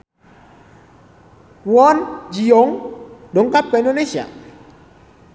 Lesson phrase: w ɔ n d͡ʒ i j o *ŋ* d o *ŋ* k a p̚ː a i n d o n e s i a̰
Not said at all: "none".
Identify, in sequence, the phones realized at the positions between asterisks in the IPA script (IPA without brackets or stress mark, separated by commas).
ŋ, ŋ